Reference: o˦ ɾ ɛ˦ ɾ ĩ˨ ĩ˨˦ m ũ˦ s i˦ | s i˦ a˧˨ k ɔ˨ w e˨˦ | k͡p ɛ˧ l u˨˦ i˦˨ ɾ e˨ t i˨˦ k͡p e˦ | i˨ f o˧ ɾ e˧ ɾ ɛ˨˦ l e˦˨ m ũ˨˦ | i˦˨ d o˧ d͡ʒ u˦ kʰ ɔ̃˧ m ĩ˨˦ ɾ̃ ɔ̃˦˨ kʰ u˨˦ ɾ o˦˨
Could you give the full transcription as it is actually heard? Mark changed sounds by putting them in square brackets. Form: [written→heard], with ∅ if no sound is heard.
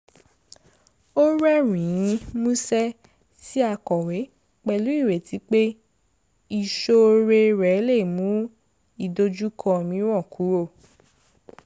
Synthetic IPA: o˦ ɾ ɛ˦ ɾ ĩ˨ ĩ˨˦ m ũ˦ s [i˦→ɛ˦] | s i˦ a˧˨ k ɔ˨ w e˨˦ | k͡p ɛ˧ l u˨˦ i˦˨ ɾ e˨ t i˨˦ k͡p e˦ | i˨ [f→ʃ] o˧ ɾ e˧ ɾ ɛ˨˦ l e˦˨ m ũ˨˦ | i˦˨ d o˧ d͡ʒ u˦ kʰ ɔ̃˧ m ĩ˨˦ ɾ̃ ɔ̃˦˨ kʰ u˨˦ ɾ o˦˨